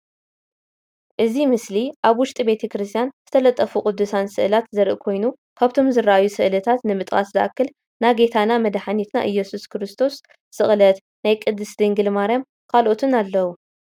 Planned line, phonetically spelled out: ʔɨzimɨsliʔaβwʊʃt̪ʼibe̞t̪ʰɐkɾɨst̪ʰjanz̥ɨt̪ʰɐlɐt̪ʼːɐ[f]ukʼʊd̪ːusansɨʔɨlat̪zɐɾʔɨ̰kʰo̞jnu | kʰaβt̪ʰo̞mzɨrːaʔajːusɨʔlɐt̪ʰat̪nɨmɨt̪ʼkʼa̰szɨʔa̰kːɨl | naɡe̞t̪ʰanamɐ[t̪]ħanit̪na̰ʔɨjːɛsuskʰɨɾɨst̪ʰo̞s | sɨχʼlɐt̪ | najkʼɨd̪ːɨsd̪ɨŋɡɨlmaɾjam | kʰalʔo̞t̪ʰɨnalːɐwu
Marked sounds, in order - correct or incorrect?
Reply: correct, incorrect

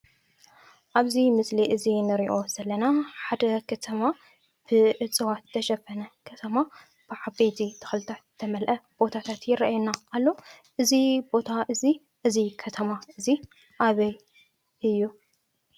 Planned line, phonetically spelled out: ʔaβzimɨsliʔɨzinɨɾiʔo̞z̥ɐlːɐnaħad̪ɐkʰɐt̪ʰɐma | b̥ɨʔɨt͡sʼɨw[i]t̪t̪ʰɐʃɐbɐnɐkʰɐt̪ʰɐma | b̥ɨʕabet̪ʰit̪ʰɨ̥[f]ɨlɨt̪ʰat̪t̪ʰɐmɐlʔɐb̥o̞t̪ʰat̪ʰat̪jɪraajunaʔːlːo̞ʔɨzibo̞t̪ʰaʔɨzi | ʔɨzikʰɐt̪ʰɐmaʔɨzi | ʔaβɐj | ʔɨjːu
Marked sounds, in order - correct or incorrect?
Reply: incorrect, incorrect

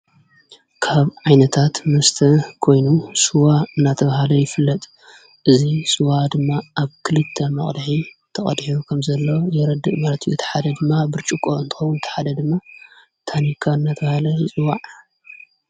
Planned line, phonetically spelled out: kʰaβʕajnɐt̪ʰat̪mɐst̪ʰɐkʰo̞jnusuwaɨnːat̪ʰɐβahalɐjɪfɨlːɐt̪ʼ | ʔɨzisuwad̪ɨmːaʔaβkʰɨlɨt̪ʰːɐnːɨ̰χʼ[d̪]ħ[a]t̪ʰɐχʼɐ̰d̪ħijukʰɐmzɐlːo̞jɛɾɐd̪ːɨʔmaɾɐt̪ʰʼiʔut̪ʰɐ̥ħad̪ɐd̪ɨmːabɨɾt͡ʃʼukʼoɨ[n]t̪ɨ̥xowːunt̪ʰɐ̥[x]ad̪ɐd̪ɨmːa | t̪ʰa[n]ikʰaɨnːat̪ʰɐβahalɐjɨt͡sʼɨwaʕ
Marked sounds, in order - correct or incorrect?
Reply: correct, incorrect, correct, incorrect, correct

